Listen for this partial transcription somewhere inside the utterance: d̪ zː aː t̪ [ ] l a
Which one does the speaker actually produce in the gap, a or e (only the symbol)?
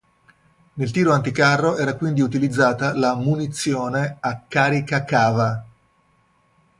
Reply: a